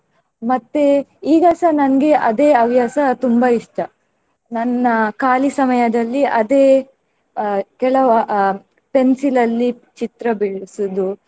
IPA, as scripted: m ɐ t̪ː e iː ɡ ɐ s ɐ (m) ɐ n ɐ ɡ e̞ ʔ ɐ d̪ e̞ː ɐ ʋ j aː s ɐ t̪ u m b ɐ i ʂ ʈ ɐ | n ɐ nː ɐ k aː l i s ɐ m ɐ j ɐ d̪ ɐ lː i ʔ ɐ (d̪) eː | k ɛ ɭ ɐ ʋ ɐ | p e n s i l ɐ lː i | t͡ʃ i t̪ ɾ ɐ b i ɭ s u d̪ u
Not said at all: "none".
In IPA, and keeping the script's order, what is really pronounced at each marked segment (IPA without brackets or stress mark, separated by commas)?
n, d̪